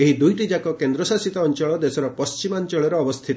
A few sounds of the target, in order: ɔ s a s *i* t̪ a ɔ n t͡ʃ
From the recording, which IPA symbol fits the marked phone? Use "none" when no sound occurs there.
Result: i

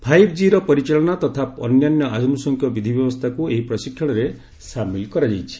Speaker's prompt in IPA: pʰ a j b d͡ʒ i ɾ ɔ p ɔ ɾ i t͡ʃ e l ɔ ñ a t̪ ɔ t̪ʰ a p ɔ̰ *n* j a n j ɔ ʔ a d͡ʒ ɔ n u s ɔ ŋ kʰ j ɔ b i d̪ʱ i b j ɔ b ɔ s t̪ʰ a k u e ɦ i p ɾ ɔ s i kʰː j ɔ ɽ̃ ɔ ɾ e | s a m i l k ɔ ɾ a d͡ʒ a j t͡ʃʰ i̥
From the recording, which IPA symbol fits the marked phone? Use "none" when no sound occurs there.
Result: n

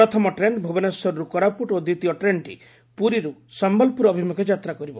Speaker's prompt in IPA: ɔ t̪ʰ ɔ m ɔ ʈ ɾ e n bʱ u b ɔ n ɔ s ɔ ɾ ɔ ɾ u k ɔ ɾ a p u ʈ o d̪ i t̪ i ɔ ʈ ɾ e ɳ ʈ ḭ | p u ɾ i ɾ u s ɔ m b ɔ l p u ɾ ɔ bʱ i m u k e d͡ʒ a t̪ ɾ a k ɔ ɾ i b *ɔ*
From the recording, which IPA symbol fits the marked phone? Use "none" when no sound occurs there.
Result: ɔ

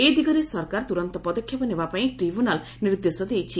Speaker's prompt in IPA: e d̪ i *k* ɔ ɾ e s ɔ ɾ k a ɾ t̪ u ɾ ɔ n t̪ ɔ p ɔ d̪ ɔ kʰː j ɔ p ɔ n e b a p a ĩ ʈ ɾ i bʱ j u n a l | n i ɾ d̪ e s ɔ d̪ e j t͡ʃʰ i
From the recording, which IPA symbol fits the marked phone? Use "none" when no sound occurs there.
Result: ɡ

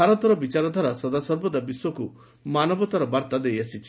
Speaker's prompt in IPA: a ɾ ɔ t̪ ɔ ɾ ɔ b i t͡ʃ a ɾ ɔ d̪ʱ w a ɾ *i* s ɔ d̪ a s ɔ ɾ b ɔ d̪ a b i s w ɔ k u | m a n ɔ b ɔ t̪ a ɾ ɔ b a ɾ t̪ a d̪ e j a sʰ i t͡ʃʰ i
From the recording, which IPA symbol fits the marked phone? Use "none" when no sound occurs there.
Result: a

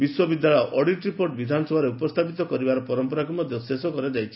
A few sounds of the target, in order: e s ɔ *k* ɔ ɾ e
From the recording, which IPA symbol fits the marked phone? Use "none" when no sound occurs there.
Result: k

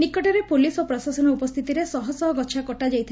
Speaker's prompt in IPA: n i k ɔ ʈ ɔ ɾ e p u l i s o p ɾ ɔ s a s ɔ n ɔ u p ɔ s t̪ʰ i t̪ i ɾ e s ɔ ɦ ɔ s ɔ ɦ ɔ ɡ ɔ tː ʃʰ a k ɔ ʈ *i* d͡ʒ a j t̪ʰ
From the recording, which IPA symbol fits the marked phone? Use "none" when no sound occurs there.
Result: a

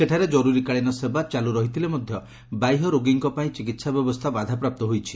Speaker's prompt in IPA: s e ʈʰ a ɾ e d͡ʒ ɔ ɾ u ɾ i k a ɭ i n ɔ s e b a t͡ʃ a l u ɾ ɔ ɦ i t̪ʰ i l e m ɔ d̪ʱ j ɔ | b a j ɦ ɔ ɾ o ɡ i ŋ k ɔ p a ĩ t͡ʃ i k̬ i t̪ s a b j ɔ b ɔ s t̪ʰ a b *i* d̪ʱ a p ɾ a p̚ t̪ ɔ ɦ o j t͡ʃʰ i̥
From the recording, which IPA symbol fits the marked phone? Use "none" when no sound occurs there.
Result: a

